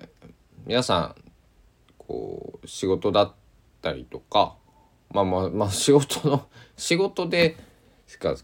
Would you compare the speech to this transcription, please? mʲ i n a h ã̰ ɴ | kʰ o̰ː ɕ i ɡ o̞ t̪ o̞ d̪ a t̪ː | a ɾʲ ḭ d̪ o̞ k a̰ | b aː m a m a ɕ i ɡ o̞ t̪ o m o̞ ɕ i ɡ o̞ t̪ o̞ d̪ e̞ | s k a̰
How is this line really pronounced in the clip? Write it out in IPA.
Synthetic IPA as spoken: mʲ i n a s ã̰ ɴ | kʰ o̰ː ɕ i ɡ o̞ t̪ o̞ d̪ a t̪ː | a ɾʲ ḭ t̪ o̞ k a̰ | m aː m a m a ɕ i ɡ o̞ t̪ o n o̞ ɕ i ɡ o̞ t̪ o̞ d̪ e̞ | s k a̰